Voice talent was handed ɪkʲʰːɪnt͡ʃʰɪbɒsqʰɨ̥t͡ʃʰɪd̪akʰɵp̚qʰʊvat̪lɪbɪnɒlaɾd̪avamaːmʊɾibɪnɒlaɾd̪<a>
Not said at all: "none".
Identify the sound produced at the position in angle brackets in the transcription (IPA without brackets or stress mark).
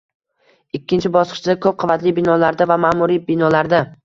a